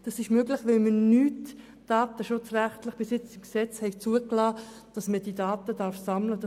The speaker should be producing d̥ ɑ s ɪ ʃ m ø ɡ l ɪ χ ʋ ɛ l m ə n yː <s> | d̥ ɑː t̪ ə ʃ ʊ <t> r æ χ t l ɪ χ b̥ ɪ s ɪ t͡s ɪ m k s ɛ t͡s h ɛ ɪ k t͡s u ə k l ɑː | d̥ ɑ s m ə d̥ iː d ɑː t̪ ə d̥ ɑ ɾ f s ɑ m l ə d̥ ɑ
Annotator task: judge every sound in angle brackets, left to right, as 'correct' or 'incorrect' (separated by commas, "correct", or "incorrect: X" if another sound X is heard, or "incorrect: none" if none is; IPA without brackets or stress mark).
incorrect: t, incorrect: t͡s